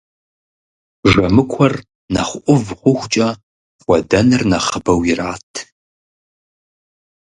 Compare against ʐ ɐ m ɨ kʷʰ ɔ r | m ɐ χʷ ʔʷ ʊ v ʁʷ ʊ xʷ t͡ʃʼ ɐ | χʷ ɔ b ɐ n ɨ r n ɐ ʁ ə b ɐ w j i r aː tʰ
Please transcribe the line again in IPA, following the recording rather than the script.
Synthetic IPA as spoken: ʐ ɐ m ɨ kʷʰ ɔ r | n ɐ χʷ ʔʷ ʊ v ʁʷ ʊ xʷ t͡ʃʼ ɐ | χʷ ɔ d ɐ n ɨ r n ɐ χ ə b ɐ w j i r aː tʰ